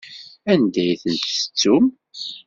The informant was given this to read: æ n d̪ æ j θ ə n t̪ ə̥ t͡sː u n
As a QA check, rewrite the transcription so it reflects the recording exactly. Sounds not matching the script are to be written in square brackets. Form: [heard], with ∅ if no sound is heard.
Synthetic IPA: æ n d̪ æ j θ ə n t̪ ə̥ t͡sː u [m]